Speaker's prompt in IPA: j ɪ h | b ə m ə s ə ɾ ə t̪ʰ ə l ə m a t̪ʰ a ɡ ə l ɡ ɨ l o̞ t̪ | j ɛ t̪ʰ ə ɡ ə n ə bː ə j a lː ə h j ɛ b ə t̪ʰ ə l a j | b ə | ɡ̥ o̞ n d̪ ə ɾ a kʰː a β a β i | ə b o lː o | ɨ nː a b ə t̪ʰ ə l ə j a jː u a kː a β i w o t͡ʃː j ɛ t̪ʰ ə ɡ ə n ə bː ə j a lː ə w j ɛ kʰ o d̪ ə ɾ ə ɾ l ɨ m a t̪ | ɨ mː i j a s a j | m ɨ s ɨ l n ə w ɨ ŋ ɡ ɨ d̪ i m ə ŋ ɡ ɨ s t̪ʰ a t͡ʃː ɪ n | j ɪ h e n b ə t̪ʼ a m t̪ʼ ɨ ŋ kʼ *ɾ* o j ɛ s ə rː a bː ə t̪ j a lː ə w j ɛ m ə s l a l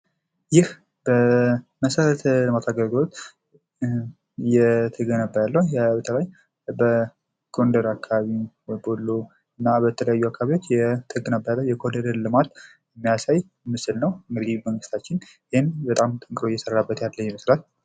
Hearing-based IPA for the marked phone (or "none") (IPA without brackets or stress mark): ɾ